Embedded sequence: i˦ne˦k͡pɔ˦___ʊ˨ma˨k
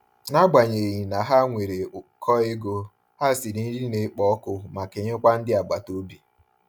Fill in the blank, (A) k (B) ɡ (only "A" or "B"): A